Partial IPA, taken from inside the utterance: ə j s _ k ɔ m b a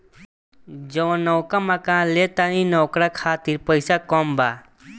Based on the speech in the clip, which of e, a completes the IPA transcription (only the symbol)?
a